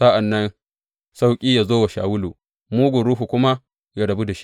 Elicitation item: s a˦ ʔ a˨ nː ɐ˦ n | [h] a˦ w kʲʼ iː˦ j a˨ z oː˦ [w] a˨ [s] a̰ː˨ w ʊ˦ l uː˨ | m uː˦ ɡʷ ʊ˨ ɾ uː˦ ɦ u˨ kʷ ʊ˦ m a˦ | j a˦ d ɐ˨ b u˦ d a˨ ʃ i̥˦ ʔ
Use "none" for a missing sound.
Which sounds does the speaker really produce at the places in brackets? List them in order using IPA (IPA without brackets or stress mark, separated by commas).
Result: s, w, ʃ